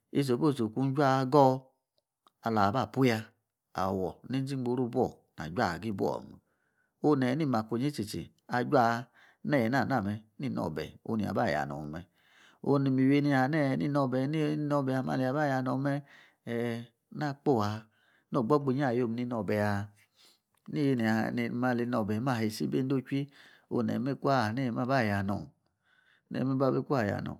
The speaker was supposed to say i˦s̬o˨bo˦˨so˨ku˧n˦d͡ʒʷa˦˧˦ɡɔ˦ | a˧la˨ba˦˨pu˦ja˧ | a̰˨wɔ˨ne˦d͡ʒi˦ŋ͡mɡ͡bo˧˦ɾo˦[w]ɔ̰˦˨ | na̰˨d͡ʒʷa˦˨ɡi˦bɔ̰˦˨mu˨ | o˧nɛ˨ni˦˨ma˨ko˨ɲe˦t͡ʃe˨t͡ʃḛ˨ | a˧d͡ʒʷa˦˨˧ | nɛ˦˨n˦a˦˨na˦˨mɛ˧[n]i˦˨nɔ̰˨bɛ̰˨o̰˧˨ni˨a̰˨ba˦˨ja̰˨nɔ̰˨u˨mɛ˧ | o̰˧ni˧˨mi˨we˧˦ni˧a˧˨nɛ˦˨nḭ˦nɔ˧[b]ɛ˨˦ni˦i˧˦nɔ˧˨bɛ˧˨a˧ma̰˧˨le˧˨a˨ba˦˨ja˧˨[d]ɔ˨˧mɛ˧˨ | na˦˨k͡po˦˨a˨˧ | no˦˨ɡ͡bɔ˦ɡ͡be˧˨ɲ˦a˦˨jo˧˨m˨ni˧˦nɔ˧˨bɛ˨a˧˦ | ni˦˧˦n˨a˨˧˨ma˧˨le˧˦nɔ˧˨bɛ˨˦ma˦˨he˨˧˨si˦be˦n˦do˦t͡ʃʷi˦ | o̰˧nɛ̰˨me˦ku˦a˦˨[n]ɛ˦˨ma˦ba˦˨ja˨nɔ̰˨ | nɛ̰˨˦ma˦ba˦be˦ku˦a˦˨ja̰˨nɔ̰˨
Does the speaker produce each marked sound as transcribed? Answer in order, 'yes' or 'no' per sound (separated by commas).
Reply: no, yes, yes, no, yes